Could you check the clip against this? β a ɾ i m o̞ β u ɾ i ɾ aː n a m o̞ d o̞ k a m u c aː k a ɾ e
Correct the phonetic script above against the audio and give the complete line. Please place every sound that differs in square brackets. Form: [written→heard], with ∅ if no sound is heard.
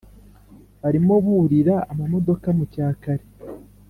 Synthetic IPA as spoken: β a ɾ i m o̞ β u ɾ i ɾ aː [n→m] a m o̞ d o̞ k a m u c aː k a ɾ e